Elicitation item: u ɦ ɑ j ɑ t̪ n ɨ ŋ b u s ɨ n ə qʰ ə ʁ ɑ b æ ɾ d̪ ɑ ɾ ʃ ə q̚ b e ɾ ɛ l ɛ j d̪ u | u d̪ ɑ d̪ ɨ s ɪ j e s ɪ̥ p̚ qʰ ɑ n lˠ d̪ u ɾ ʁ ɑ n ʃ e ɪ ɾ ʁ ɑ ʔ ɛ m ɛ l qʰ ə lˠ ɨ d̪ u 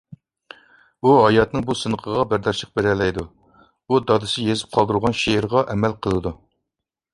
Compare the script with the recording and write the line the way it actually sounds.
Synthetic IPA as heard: u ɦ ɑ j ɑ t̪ n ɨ ŋ b u s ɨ n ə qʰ ə ʁ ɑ b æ ɾ d̪ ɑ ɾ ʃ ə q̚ b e ɾ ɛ l ɛ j d̪ u | u d̪ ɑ d̪ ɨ s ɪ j e z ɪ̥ p̚ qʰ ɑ lˠ d̪ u ɾ ʁ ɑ n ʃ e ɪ ɾ ʁ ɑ ʔ ɛ m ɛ l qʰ ə lˠ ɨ d̪ u